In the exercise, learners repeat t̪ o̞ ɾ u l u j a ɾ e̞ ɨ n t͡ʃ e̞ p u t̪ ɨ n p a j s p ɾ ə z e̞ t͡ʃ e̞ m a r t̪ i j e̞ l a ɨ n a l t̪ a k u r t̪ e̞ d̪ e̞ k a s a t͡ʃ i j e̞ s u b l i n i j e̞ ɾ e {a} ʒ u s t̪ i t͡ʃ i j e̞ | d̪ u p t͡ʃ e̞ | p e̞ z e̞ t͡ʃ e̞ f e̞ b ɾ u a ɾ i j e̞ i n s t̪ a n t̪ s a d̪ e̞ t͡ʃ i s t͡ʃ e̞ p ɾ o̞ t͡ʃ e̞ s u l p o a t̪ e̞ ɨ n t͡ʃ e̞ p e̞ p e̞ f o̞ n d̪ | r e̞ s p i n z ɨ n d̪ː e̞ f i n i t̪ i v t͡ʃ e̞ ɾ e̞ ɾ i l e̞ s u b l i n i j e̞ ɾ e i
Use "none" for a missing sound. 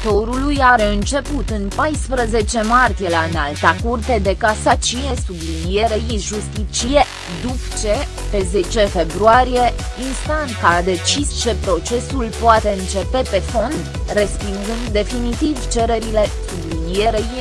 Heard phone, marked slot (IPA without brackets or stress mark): i